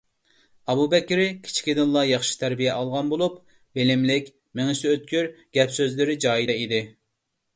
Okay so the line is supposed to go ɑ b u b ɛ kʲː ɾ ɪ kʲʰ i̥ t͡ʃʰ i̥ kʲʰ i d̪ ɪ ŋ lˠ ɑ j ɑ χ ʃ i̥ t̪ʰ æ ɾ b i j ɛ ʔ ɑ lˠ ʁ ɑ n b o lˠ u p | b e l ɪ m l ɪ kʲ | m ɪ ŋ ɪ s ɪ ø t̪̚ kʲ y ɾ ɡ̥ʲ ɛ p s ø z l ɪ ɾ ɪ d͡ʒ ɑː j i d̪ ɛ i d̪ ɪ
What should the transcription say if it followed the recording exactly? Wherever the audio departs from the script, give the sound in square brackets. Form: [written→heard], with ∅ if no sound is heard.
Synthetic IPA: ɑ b u b ɛ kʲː ɾ ɪ kʲʰ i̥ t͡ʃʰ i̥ [kʲʰ→kʲ] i d̪ ɪ [ŋ→n] lˠ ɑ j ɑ χ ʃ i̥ t̪ʰ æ ɾ b i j ɛ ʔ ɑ lˠ ʁ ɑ n b o lˠ u p | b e l ɪ m l ɪ kʲ | m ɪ ŋ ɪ s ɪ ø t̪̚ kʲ y ɾ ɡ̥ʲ ɛ p s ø z l ɪ ɾ ɪ d͡ʒ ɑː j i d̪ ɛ i d̪ ɪ